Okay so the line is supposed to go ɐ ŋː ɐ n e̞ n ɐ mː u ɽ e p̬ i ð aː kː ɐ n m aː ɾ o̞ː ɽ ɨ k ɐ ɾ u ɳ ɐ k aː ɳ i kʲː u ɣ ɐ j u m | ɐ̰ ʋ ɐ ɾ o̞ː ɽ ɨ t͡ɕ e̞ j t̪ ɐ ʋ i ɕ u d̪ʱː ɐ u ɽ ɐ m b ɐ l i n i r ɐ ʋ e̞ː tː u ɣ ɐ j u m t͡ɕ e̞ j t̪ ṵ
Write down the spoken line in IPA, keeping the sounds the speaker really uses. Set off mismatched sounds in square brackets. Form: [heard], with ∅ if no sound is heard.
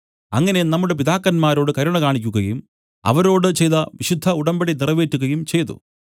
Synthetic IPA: ɐ ŋː ɐ n e̞ n ɐ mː u ɽ e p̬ i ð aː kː ɐ n m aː ɾ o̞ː ɽ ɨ k ɐ ɾ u ɳ ɐ k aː ɳ i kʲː u ɣ ɐ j u m | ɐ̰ ʋ ɐ ɾ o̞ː ɽ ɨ t͡ɕ e̞ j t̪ ɐ ʋ i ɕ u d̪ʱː ɐ u ɽ ɐ m b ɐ [ɽ] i n i r ɐ ʋ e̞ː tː u ɣ ɐ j u m t͡ɕ e̞ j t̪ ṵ